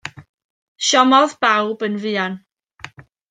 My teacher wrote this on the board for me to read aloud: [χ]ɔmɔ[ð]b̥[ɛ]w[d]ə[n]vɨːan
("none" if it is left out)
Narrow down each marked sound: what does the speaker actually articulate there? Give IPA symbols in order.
ʃ, ð, a, b, n

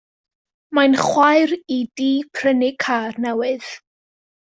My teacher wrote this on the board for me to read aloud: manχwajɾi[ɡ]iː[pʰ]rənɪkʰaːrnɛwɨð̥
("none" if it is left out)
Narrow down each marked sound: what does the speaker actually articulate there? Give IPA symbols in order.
d, pʰ

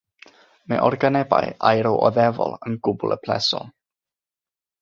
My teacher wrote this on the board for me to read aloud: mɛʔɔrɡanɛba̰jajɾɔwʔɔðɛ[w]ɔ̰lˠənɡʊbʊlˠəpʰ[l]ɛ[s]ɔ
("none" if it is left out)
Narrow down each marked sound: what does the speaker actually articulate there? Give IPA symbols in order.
v, l, s

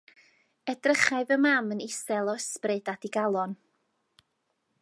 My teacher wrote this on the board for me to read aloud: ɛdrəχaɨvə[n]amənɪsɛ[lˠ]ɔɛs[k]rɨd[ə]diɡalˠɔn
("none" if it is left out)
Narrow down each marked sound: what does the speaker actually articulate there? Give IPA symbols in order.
m, lˠ, p, a

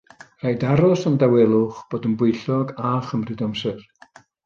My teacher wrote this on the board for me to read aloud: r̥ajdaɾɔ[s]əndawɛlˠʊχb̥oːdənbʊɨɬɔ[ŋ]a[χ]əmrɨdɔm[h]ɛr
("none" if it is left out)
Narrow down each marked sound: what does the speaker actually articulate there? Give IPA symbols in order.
s, ɡ, χ, s

